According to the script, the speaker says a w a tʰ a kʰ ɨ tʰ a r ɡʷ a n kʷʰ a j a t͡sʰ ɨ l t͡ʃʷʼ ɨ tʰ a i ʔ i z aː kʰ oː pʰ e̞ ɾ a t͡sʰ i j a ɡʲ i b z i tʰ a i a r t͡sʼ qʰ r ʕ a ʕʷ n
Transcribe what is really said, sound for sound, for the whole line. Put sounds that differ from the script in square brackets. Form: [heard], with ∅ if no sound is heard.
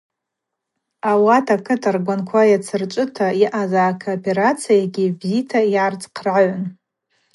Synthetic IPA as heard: a w a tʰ a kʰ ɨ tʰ a r ɡʷ a n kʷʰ a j a t͡sʰ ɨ [r] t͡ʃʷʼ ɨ tʰ a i ʔ [a] z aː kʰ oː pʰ e̞ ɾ a t͡sʰ i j a ɡʲ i b z i tʰ a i a r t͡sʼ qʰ r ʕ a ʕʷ n